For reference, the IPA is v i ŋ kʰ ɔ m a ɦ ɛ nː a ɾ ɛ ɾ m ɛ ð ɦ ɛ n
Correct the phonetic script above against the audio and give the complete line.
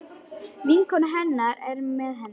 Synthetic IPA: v i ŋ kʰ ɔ n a ɦ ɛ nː a ɾ ɛ ɾ m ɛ ð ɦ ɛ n